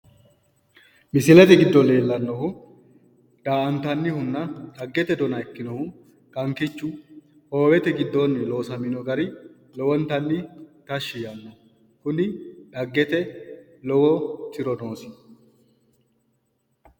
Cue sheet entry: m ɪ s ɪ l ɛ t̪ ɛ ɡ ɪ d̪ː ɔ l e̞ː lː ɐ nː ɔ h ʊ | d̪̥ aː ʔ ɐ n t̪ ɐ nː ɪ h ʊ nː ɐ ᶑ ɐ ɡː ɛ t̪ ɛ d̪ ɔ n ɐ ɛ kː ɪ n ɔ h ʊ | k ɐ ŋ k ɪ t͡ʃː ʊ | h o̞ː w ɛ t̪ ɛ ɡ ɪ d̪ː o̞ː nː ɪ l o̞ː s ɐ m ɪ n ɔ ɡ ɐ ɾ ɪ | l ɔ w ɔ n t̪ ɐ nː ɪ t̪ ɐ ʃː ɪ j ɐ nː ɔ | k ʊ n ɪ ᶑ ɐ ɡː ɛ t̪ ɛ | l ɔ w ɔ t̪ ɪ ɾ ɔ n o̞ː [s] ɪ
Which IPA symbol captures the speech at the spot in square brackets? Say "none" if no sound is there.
s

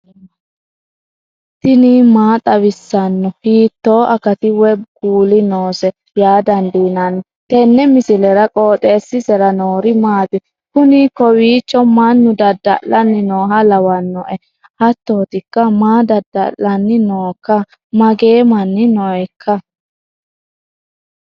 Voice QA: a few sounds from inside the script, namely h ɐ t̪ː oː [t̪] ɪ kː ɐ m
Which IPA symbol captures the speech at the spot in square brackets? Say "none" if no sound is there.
t̪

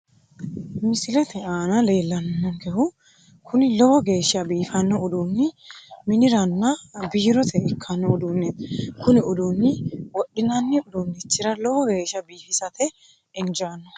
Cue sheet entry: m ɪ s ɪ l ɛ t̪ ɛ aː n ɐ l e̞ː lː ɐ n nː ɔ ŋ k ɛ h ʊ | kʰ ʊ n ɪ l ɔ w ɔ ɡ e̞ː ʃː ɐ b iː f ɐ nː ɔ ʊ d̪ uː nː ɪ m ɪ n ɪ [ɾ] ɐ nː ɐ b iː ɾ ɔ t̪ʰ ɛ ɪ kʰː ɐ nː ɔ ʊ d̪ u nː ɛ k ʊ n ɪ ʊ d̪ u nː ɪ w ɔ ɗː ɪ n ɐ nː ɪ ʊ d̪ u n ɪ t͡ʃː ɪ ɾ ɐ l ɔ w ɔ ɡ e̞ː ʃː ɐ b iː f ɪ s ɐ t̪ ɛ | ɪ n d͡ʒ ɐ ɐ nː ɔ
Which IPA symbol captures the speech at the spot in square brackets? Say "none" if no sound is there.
ɾ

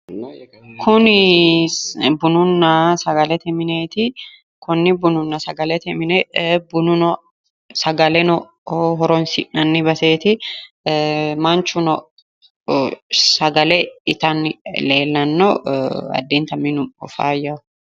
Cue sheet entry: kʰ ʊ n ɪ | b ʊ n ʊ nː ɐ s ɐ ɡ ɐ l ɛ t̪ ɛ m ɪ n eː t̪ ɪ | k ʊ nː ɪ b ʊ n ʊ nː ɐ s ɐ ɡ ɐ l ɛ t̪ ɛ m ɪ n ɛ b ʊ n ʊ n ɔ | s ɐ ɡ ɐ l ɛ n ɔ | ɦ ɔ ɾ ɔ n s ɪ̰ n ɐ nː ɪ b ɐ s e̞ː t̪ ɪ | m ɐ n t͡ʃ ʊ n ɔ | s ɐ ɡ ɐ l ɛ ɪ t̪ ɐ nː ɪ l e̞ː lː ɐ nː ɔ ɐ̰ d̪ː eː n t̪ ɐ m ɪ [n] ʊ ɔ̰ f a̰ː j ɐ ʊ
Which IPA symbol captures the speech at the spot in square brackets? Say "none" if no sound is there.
n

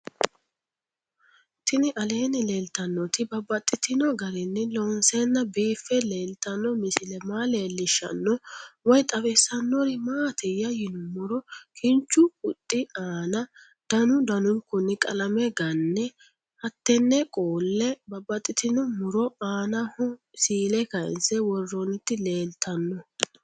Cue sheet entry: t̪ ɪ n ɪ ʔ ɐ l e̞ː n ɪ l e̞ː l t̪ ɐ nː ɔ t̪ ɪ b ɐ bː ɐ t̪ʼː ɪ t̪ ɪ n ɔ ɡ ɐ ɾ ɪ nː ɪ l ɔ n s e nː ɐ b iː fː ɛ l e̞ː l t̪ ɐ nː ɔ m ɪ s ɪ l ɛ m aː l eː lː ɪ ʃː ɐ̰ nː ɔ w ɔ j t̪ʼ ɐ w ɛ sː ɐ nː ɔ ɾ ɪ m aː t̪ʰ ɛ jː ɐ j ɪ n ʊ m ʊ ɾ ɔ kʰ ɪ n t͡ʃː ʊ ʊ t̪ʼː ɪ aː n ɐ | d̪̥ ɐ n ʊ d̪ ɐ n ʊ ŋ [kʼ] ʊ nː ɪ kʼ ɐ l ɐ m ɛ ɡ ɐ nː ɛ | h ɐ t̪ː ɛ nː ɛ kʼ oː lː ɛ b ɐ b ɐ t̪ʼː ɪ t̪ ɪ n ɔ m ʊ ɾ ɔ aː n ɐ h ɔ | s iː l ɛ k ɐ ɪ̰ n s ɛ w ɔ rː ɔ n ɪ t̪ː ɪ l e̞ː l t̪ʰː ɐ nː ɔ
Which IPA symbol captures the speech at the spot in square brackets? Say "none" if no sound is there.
k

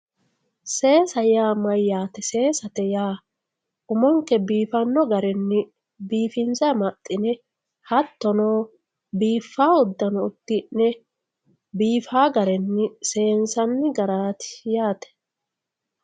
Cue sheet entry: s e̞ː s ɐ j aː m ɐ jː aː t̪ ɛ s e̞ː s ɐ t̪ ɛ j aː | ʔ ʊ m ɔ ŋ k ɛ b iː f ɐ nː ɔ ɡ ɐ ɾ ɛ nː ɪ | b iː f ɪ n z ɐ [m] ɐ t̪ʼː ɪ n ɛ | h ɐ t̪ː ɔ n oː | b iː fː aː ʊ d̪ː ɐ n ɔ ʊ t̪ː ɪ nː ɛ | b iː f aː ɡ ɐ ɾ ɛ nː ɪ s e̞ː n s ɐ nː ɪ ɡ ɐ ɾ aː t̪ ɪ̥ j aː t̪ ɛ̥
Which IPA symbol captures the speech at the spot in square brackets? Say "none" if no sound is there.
m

